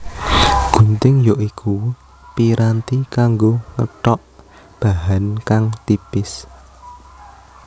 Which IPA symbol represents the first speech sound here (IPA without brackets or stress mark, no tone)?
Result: ɡ̥